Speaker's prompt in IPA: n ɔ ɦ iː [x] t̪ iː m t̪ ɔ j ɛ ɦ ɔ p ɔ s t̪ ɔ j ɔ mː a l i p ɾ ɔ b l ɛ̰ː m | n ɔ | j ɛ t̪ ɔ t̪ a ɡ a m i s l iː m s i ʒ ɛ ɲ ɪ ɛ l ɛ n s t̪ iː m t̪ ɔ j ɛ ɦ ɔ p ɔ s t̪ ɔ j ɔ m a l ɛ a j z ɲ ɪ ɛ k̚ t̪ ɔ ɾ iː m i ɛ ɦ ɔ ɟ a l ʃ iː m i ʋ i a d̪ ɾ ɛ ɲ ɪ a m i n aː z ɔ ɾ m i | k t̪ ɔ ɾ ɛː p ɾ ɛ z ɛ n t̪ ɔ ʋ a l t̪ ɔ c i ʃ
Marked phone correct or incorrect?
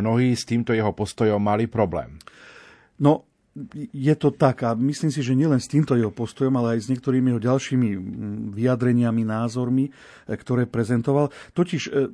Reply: incorrect